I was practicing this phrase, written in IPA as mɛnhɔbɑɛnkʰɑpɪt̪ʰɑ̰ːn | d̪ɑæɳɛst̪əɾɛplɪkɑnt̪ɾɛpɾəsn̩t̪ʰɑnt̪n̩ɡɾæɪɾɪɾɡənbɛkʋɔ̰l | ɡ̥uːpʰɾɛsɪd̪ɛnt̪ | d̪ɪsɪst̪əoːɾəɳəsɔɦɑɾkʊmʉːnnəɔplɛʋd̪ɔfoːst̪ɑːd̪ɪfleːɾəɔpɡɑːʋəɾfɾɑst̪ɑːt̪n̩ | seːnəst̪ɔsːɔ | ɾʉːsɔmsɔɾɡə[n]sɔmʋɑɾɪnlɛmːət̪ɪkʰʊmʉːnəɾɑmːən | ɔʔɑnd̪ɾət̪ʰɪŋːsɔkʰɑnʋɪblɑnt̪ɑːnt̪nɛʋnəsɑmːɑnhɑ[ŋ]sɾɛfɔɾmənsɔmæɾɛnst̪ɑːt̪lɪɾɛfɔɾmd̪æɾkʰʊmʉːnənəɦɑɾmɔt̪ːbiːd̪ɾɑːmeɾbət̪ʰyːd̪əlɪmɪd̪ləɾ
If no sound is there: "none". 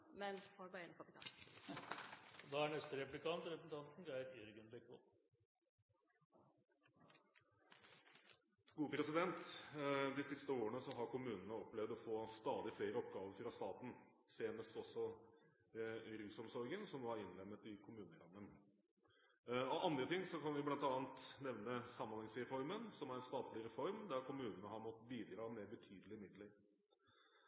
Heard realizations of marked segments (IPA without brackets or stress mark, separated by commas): n, ŋ